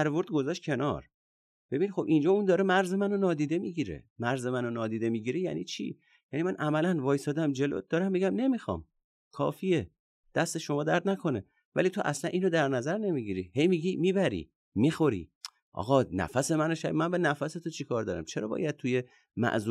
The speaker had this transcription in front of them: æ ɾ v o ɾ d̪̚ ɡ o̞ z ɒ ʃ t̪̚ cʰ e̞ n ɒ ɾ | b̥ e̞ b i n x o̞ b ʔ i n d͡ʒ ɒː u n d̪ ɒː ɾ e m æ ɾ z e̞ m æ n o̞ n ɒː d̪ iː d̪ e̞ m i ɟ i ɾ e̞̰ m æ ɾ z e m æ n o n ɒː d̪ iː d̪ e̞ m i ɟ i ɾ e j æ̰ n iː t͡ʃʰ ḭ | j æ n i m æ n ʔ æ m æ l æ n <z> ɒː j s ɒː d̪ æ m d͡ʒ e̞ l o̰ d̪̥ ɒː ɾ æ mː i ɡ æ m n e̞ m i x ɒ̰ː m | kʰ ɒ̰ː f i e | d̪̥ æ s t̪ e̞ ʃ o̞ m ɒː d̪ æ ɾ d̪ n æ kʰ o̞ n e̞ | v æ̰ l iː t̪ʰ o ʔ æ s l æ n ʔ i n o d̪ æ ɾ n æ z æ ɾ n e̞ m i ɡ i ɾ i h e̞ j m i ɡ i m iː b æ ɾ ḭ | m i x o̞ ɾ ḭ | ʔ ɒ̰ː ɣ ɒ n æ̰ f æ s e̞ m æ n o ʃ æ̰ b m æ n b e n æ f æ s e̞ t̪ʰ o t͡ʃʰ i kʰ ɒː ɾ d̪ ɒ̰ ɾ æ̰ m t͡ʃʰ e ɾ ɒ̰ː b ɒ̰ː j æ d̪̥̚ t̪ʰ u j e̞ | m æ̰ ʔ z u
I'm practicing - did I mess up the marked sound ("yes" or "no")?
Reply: yes